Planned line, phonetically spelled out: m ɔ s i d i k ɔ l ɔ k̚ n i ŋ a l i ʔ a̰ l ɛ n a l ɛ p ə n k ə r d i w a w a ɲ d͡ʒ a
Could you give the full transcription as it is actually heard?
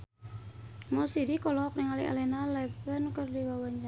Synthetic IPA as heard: m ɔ s i d i k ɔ l ɔ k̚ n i ŋ a l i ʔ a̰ l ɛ n a l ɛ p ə n k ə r d i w a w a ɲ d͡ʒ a